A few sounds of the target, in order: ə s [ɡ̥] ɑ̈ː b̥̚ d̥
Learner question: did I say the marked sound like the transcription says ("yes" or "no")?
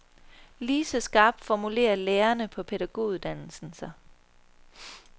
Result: yes